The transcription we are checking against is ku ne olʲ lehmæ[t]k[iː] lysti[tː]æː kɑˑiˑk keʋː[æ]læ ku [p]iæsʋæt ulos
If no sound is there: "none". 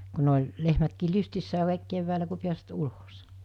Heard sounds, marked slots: t, iː, sː, æː, p

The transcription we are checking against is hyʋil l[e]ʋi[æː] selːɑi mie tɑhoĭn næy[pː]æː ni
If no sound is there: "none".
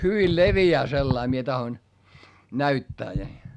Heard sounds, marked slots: e, æː, tː

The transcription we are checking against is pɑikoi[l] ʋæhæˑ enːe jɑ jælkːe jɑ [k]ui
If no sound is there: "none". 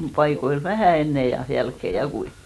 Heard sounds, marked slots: l, k

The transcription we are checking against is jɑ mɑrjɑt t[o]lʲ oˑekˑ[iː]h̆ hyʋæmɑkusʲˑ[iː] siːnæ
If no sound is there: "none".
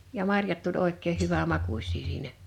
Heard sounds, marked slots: u, eː, iː

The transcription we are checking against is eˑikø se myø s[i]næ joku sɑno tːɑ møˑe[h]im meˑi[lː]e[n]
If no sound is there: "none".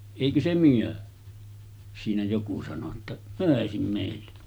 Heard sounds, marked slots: iː, s, lː, none

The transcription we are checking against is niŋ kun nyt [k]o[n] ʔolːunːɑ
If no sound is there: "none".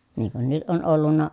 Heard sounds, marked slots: ʔ, n

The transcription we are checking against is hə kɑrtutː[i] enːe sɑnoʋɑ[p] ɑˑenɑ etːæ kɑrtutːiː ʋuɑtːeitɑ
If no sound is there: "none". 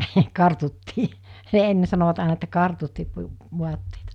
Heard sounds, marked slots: iː, t

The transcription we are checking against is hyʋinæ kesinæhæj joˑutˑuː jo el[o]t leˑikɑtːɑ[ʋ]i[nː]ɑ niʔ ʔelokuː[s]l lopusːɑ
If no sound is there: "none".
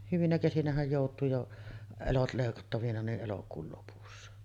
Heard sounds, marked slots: o, ʋ, n, none

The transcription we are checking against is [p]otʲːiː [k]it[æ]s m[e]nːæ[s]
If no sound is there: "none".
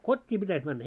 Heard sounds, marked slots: k, p, æ, æ, none

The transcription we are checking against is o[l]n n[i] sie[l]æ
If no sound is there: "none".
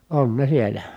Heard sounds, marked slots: none, e, l

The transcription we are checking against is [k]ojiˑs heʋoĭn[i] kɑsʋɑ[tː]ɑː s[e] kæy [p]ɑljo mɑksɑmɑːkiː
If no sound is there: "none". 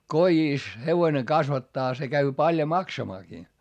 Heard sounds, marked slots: k, e, tː, e, p

